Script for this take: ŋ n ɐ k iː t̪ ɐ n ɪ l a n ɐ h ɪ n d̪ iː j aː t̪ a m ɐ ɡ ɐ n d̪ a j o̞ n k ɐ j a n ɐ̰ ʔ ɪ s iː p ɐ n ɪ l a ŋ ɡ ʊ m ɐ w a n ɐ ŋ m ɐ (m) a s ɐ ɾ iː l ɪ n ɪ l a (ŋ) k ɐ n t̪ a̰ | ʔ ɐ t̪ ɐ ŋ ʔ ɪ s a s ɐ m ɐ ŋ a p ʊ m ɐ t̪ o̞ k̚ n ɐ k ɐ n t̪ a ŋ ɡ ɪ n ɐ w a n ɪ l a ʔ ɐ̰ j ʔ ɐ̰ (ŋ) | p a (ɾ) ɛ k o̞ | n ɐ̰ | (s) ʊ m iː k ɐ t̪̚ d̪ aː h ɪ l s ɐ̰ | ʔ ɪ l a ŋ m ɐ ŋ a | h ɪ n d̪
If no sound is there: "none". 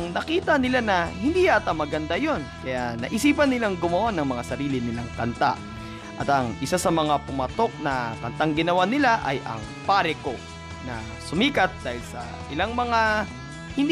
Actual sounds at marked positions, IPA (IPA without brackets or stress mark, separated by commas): ŋ, ŋ, ŋ, ɾ, s